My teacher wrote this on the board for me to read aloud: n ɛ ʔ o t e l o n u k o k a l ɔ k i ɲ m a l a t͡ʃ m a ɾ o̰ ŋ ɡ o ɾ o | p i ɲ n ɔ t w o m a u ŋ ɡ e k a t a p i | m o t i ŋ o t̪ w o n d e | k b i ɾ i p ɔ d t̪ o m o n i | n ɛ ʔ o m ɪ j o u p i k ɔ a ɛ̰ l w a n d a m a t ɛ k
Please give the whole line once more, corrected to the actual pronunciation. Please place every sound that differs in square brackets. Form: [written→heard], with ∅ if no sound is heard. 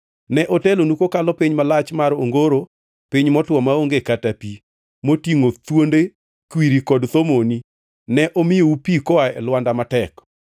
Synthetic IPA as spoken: n ɛ ʔ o t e l o n u k o k a l ɔ [k→p] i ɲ m a l a t͡ʃ m a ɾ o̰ ŋ ɡ o ɾ o | p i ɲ [n→m] ɔ t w [o→ɔ] m a [u→o] ŋ ɡ e k a t a p i | m o t i ŋ o t̪ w o n d e | k [b→w] i ɾ i [p→k] ɔ d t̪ o m o n i | n ɛ ʔ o m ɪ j o u p i k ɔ a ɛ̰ l w a n d a m a t ɛ k